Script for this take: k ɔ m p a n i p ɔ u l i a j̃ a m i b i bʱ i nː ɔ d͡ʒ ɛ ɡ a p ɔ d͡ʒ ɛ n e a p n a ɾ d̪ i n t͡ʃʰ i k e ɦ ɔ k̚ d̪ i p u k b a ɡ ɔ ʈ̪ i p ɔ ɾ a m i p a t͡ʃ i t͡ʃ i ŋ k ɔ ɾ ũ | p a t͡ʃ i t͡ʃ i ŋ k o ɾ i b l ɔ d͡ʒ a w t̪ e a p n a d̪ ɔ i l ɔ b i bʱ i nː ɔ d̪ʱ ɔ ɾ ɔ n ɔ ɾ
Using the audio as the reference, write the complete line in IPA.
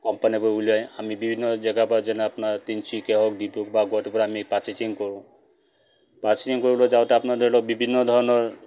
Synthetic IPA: k ɔ m p a n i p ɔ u l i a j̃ a m i b i bʱ i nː ɔ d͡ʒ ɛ ɡ a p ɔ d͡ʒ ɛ n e a p n a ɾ t̪ i n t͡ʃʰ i k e ɦ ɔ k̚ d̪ i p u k b a ɡ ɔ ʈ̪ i p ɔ ɾ a m i p a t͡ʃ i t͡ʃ i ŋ k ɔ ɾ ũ | p a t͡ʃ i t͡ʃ i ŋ k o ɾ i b l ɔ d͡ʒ a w t̪ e a p n a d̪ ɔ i l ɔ b i bʱ i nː ɔ d̪ʱ ɔ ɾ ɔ n ɔ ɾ

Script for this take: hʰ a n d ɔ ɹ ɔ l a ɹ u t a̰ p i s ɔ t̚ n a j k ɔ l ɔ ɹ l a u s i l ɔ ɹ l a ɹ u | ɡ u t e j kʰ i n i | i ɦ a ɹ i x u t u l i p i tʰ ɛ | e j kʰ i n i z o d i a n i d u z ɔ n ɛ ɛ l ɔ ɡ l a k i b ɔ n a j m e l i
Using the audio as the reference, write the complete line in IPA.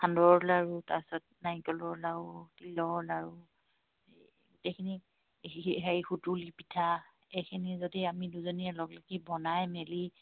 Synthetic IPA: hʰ a n d ɔ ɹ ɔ l a ɹ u t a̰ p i s ɔ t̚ n a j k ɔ l ɔ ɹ l a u t i l ɔ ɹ l a ɹ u | ɡ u t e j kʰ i n i | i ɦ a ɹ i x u t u l i p i tʰ a | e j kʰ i n i z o d i a m i d u z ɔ n i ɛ l ɔ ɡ l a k i b ɔ n a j m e l i

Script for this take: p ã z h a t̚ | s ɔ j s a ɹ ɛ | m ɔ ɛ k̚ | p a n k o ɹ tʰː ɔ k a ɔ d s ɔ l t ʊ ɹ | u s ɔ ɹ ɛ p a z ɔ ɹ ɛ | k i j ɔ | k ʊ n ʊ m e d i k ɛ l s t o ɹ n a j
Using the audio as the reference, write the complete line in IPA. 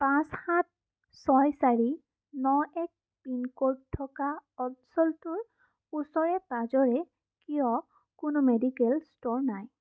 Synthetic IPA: p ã s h a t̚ | s ɔ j s a ɹ i | n ɔ ɛ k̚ | p i n k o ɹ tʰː ɔ k a ɔ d s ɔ l t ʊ ɹ | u s ɔ ɹ ɛ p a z ɔ ɹ ɛ | k i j ɔ | k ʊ n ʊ m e d i k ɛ l s t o ɹ n a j

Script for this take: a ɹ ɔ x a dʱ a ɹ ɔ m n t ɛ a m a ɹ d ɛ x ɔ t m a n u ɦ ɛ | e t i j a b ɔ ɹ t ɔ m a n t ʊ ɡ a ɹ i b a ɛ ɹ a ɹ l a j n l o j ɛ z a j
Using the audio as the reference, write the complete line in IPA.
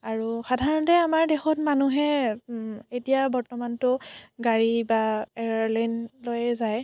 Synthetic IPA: a ɹ u x a dʱ a ɹ ɔ n t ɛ a m a ɹ d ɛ x ɔ t m a n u ɦ ɛ | e t i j a b ɔ ɹ t ɔ m a n t ʊ ɡ a ɹ i b a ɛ ɹ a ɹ l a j n l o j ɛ z a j

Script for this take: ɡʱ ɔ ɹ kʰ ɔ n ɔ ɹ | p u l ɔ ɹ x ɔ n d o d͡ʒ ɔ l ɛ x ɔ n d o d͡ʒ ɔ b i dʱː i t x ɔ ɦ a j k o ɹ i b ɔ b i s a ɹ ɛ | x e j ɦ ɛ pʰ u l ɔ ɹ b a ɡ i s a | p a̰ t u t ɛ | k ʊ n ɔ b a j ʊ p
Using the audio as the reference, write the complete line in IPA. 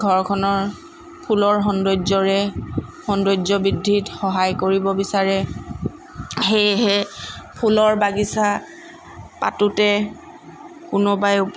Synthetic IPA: ɡʱ ɔ ɹ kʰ ɔ n ɔ ɹ | pʰ u l ɔ ɹ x ɔ n d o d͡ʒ ɔ ɹ ɛ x ɔ n d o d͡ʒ ɔ b i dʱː i t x ɔ ɦ a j k o ɹ i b ɔ b i s a ɹ ɛ | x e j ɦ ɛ pʰ u l ɔ ɹ b a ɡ i s a | p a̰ t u t ɛ | k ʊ n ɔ b a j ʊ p

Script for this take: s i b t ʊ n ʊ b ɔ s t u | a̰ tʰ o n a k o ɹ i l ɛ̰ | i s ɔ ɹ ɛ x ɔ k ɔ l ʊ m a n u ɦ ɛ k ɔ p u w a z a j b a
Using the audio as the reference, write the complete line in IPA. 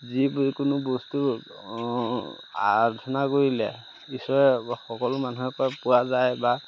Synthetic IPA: z i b k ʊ n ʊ b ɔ s t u | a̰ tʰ ɔ n a k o ɹ i l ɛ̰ | i s ɔ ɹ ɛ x ɔ k ɔ l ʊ m a n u ɦ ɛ k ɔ p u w a z a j b a

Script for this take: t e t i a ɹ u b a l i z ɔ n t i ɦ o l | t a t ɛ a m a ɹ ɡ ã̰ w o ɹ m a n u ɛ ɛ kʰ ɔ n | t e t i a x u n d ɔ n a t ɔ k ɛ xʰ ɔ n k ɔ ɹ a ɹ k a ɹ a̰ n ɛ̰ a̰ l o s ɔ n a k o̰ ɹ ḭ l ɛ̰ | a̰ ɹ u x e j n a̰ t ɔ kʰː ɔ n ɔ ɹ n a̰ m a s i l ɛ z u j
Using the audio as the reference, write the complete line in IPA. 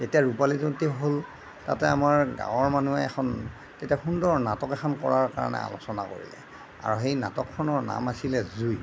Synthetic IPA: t e t i a ɹ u p a l i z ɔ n t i ɦ o l | t a t ɛ a m a ɹ ɡ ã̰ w ɔ ɹ m a n u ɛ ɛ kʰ ɔ n | t e t i a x u n d ɔ n a t ɔ k ɛ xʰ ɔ n k ɔ ɹ a ɹ k a ɹ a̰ n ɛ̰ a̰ l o s ɔ n a k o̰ ɹ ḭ l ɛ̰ | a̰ ɹ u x e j n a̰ t ɔ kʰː ɔ n ɔ ɹ n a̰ m a s i l ɛ z u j

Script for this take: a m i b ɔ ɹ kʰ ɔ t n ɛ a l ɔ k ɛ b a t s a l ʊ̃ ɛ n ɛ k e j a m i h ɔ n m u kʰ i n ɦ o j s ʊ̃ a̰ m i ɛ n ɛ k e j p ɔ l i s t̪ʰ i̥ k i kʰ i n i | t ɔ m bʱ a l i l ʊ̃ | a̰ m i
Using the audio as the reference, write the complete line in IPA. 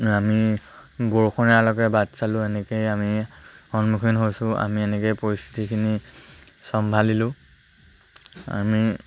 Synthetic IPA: a m i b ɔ ɹ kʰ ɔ n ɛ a l ɔ k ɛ b a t s a l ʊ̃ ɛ n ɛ k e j a m i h ɔ n m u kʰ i n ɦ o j s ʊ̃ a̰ m i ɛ n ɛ k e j p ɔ ɹ i s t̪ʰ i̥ t i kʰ i n i | s ɔ m bʱ a l i l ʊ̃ | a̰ m i

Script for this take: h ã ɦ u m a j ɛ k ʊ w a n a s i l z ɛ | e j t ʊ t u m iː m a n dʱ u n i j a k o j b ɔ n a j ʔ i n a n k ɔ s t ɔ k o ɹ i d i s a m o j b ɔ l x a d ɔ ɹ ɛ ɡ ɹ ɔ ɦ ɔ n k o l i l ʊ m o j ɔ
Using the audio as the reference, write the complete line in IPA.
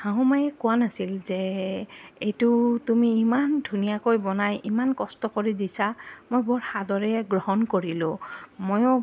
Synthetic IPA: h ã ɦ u m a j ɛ k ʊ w a n a s i l z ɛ | e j t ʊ t u m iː m a n dʱ u n i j a k o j b ɔ n a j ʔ i m a n k ɔ s t ɔ k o ɹ i d i s a m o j b ɔ ɹ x a d ɔ ɹ ɛ ɡ ɹ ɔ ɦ ɔ n k o ɹ i l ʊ m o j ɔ

